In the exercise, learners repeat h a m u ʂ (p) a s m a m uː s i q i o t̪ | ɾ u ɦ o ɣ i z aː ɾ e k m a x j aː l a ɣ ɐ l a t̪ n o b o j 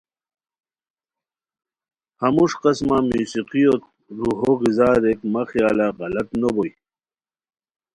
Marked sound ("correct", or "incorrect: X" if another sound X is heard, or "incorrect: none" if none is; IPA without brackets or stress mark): incorrect: q